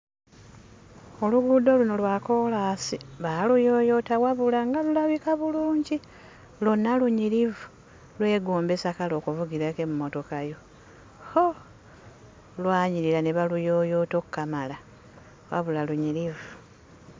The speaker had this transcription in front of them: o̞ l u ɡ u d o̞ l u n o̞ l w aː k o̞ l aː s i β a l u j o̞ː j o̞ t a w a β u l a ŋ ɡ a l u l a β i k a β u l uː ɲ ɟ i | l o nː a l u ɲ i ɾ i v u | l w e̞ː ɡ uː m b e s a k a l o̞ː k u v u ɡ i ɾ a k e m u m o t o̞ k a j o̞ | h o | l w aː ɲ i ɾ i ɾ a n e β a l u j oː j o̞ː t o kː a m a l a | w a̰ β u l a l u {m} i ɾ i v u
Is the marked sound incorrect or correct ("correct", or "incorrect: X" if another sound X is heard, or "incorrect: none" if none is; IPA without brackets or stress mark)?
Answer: incorrect: ɲ